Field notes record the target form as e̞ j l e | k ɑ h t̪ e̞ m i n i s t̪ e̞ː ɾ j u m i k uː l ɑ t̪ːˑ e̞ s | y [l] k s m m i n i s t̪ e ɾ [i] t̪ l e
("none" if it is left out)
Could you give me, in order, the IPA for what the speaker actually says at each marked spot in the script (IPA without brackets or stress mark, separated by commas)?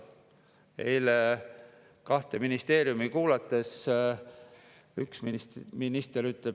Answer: none, y